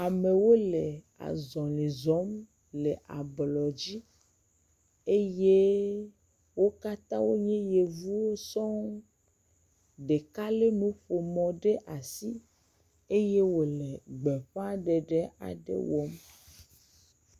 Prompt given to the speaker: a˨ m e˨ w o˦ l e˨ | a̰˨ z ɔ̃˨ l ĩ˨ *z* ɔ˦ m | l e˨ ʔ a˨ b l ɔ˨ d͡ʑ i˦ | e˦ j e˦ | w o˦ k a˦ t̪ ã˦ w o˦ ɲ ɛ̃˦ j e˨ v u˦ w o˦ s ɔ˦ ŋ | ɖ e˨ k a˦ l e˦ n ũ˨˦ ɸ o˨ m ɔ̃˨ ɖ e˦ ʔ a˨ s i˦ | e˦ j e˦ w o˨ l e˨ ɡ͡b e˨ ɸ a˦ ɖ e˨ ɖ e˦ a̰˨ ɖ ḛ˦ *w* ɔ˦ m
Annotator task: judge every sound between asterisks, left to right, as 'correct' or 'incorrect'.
correct, correct

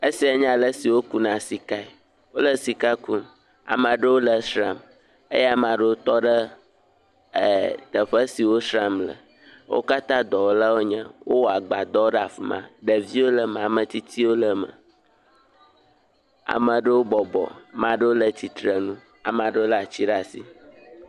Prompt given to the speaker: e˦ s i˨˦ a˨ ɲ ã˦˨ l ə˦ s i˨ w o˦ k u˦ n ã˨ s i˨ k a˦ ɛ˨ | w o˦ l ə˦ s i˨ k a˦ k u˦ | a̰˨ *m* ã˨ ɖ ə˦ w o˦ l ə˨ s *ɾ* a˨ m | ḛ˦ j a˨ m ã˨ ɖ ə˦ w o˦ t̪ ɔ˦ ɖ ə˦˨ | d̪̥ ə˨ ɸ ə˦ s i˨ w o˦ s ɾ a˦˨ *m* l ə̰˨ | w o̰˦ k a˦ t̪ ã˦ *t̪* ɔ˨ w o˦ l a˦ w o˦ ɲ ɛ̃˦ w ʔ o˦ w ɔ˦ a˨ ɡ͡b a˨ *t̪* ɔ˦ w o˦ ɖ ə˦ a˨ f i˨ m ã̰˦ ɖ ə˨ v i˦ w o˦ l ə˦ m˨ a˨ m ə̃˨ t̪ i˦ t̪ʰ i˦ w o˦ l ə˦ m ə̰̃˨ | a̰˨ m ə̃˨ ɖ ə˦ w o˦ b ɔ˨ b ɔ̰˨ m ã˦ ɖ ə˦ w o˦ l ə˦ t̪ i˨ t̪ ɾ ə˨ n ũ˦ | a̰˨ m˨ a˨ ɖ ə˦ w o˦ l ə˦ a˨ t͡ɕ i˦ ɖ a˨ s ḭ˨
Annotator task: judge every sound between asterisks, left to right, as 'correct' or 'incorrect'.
correct, correct, correct, incorrect: d̪, incorrect: d̪

